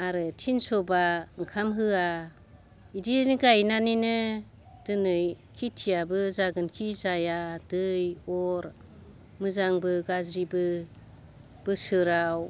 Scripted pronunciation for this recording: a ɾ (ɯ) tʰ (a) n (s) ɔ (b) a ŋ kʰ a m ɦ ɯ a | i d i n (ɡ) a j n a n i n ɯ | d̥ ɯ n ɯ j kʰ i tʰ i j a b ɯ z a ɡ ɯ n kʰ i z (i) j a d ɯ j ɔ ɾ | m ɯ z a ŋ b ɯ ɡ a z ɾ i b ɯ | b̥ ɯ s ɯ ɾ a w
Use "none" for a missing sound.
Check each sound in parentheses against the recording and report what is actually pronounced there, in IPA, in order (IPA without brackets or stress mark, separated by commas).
ɯ, i, s, b, ɡ, a